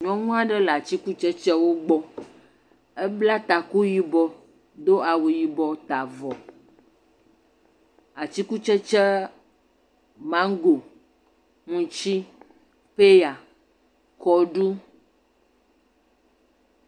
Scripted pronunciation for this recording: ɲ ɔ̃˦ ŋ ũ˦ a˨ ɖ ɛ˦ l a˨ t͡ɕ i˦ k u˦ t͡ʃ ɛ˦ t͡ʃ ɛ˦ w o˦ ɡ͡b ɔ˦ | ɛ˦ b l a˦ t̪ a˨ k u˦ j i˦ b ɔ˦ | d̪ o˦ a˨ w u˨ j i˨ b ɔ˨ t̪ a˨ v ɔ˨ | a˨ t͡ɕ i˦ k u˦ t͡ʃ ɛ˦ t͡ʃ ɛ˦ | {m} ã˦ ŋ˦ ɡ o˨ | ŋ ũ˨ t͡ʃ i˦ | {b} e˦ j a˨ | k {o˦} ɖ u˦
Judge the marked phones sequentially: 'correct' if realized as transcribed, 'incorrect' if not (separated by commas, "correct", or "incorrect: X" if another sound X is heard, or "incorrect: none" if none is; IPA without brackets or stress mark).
correct, incorrect: p, incorrect: ɔ˦